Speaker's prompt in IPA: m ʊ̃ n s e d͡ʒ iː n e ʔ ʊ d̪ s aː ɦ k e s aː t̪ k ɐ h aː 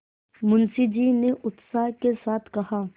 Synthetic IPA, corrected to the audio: m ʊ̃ n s i d͡ʒ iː n e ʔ ʊ t̪ s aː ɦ k e s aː t̪ʰ k ɐ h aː